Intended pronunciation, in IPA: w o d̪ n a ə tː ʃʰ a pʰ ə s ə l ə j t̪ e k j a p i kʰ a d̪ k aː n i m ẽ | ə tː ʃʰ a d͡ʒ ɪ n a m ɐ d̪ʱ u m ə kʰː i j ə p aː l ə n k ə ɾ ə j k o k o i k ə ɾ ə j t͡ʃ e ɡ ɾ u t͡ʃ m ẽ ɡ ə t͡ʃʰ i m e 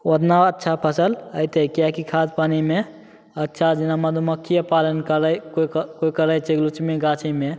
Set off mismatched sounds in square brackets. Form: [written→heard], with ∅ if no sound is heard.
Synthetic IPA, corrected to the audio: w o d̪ n a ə tː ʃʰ a pʰ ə s ə l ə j t̪ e k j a [p→k] i kʰ a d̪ [k→p] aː n i m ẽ | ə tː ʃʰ a d͡ʒ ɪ n a m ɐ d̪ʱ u m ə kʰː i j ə p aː l ə n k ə ɾ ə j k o k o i k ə ɾ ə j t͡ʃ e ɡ [ɾ→l] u t͡ʃ m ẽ ɡ [ə→a] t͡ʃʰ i m e